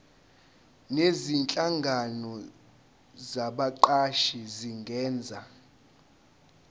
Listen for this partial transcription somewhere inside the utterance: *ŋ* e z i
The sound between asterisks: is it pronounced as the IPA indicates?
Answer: no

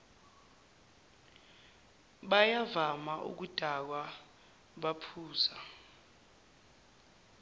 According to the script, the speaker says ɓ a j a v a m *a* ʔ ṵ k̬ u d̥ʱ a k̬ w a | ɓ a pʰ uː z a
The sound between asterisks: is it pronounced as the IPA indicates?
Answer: yes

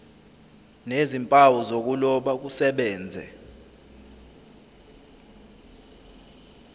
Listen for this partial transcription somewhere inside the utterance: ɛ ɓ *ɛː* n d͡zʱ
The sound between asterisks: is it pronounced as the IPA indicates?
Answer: yes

